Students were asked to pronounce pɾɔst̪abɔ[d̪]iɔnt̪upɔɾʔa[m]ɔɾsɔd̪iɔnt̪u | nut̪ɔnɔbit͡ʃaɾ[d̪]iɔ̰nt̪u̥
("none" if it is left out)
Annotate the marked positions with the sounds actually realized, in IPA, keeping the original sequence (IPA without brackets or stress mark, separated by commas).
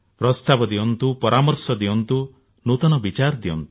d̪, m, d̪